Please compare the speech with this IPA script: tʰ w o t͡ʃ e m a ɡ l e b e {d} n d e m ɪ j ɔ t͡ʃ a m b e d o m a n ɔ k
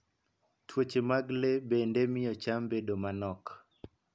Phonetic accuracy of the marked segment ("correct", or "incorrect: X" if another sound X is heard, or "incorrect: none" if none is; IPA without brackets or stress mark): incorrect: none